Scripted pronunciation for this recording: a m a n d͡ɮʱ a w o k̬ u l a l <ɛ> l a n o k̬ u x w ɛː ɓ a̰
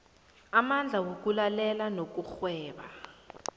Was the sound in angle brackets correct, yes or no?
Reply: yes